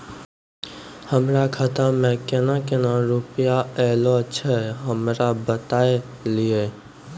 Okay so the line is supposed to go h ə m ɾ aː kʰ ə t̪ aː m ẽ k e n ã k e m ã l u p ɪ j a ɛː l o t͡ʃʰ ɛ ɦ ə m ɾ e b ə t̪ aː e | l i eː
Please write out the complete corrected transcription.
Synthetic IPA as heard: h ə m ɾ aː kʰ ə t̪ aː m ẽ k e n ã k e n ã ɾ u p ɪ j a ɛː l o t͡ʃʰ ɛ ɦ ə m ɾ a b ə t̪ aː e | l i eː